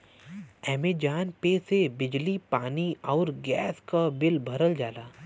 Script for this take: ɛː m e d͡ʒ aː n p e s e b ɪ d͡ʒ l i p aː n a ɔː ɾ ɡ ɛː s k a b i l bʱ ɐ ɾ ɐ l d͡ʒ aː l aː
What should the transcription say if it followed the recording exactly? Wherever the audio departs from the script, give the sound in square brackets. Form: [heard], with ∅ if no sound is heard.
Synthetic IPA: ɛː m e d͡ʒ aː n p e s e b ɪ d͡ʒ l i p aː n [i] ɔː ɾ ɡ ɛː s k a b [ɪ] l bʱ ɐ ɾ [ə] l d͡ʒ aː l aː